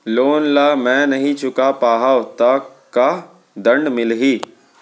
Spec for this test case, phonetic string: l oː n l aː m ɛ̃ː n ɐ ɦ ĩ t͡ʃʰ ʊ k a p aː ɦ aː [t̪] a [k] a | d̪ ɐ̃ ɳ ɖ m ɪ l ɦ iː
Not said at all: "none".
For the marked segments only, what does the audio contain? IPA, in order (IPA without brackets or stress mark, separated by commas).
t̪, k